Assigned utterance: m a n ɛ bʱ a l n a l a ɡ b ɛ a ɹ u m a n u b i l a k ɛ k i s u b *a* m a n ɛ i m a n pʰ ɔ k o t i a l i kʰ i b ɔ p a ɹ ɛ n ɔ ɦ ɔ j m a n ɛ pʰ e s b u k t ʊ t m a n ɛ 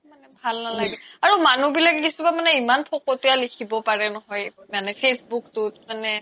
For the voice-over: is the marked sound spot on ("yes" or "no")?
yes